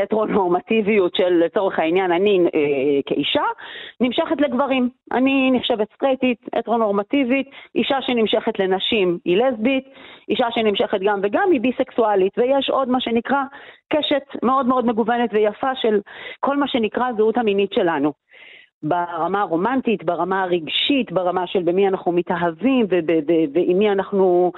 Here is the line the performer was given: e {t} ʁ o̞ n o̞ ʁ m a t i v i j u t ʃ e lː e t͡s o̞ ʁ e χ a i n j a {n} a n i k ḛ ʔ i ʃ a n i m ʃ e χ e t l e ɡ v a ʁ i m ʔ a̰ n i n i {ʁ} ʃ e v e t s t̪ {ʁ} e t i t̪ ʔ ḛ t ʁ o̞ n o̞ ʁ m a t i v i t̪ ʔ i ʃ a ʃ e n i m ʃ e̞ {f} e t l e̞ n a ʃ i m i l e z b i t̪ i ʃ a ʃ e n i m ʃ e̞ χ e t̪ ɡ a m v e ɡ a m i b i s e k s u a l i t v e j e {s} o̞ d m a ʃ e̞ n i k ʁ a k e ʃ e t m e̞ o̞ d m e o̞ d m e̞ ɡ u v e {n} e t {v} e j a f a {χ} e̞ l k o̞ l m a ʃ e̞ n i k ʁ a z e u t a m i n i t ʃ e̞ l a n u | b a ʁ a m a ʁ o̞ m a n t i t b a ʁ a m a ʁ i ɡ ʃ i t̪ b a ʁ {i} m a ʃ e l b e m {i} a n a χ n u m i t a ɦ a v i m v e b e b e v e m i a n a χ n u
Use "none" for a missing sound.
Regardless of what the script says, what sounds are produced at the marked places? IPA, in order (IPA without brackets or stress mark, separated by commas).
t, n, χ, ʁ, χ, ʃ, n, v, ʃ, a, i